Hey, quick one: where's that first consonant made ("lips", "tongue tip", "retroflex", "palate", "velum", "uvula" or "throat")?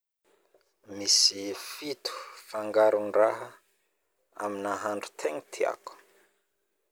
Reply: lips